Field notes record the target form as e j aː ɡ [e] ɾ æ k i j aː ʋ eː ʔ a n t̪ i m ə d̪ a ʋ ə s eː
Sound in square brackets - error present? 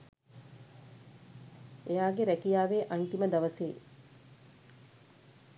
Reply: no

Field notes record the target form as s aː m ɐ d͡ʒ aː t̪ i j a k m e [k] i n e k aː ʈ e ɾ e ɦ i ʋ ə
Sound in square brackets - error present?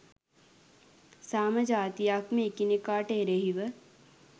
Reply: no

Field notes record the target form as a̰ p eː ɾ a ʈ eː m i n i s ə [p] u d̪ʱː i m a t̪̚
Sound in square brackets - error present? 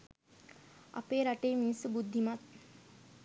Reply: yes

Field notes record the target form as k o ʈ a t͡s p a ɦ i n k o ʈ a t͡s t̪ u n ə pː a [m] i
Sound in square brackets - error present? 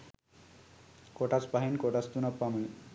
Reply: no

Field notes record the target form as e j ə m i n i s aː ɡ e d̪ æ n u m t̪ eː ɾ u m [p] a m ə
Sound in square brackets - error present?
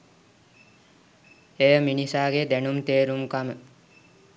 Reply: yes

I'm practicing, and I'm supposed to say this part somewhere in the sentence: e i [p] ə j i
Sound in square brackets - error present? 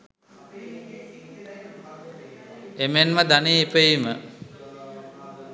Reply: no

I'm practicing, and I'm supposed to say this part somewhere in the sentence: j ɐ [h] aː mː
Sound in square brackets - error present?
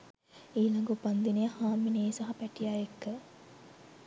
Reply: no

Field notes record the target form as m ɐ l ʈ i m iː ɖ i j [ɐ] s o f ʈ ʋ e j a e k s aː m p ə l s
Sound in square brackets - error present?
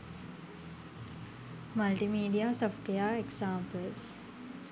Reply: yes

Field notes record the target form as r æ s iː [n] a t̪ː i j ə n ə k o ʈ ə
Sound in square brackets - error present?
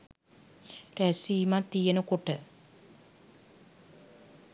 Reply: yes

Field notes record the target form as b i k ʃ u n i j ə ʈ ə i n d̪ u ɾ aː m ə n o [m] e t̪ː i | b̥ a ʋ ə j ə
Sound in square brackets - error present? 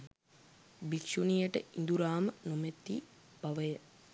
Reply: no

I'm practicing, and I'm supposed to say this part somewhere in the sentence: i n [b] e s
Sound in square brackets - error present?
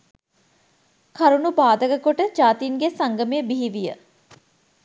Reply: yes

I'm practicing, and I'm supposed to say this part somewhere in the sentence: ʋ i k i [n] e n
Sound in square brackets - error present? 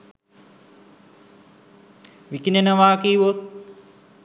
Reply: no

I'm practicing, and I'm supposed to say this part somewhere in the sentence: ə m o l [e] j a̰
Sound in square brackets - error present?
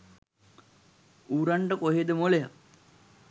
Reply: no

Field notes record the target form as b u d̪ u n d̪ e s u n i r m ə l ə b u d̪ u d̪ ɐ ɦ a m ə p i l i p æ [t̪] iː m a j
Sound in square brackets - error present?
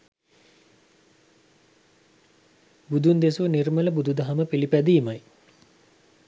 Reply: yes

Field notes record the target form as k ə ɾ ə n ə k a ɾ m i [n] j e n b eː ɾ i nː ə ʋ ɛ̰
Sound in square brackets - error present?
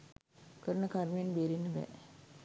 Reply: yes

